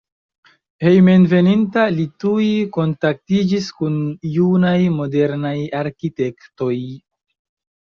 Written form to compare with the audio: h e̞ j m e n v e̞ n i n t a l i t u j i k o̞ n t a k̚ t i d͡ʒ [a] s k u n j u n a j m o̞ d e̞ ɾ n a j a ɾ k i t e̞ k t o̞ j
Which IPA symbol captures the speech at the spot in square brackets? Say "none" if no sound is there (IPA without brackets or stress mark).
i